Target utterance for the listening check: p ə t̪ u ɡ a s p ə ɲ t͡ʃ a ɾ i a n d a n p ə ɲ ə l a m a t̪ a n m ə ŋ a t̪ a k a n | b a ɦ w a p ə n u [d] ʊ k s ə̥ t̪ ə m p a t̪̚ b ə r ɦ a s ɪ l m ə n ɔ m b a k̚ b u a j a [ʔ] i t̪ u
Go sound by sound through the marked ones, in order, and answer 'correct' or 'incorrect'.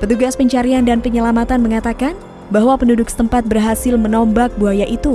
correct, correct

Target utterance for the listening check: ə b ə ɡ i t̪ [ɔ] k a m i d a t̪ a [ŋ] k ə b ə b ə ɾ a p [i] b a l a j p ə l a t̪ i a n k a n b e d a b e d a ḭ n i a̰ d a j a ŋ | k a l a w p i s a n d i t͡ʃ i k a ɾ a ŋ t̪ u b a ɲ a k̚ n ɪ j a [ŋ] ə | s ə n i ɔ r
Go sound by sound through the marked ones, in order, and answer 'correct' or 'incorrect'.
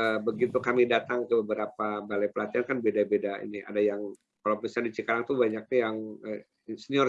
incorrect, correct, incorrect, correct

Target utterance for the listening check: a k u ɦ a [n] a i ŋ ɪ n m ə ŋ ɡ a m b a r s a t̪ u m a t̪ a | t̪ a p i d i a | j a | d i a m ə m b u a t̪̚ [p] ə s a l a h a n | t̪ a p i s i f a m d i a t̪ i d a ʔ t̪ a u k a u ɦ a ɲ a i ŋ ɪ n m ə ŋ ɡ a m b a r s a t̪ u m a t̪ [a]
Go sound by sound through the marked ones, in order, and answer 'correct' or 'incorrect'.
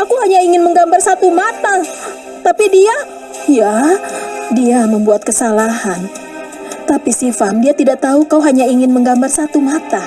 incorrect, incorrect, correct

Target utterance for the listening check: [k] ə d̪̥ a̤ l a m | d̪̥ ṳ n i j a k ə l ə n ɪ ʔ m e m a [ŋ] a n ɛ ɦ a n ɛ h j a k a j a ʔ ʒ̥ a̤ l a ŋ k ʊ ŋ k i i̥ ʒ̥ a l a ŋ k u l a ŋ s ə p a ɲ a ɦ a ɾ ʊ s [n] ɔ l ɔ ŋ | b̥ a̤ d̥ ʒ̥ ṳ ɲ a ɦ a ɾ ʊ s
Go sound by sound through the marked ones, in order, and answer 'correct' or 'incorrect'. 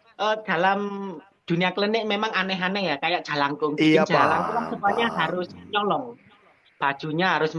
incorrect, correct, incorrect

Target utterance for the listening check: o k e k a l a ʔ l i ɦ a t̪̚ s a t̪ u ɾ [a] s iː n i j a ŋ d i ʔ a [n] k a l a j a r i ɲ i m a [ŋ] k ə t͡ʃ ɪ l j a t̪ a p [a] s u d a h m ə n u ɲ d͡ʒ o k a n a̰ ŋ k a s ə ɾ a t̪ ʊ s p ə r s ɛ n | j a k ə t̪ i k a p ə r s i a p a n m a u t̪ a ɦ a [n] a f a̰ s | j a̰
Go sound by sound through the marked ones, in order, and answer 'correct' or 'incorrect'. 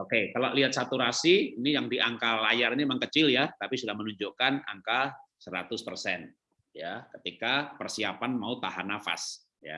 correct, incorrect, correct, incorrect, correct

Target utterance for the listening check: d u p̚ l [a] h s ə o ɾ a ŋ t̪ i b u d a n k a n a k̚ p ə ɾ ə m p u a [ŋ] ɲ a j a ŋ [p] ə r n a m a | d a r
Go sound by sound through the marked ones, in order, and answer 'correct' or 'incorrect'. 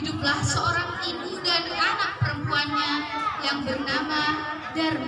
correct, incorrect, incorrect

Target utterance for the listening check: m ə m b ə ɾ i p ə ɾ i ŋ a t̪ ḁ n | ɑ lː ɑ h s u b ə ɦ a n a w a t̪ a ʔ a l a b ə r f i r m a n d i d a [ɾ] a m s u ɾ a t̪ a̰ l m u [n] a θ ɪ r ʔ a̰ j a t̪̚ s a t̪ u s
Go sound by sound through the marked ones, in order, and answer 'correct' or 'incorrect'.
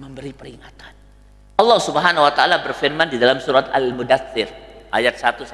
incorrect, incorrect

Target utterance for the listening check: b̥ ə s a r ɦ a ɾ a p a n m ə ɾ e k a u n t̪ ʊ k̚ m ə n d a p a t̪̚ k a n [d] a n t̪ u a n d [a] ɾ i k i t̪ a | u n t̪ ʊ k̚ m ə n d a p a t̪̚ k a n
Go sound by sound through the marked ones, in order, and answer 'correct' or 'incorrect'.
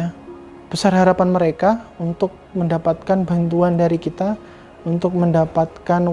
incorrect, correct

